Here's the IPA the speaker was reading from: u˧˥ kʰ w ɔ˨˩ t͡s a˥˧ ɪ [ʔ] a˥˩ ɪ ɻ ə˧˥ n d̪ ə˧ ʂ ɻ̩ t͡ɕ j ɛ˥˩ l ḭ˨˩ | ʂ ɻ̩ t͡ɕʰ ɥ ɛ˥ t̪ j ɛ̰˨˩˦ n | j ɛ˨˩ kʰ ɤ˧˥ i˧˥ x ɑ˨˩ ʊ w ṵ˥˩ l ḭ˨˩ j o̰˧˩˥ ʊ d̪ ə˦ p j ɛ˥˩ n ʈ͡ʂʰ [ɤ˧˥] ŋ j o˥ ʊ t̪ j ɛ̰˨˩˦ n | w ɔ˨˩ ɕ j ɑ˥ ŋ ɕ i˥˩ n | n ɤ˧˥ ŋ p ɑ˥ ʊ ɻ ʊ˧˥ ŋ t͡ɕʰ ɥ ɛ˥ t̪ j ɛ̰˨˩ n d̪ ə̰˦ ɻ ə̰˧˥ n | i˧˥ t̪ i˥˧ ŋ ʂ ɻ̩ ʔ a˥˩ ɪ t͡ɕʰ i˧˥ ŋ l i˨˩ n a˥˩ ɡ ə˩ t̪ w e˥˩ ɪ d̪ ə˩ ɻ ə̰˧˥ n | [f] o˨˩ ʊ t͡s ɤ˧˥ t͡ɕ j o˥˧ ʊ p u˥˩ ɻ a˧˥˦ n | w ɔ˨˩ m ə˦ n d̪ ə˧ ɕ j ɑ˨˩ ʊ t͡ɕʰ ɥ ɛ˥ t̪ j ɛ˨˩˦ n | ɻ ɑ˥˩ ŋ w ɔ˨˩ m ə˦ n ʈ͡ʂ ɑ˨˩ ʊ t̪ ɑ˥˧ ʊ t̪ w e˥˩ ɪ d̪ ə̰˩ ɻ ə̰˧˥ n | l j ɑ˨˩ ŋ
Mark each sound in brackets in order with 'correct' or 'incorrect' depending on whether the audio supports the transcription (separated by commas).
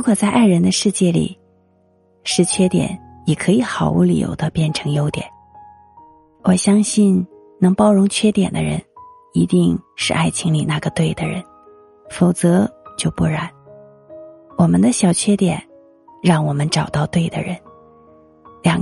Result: correct, correct, correct